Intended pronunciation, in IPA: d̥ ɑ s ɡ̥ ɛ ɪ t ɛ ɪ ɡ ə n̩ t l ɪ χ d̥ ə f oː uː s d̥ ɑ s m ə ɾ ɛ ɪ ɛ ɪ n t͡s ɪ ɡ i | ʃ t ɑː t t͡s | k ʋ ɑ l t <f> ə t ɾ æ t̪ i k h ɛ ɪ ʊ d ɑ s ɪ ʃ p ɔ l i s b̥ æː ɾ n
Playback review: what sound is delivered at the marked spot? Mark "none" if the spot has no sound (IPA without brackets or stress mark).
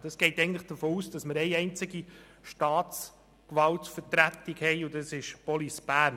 f